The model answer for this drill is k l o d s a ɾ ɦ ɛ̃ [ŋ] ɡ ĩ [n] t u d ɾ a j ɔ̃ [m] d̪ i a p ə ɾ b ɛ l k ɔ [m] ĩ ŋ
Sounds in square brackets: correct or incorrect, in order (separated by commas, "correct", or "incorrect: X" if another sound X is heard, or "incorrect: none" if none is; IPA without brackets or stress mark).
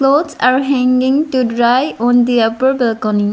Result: correct, incorrect: ŋ, incorrect: n, incorrect: n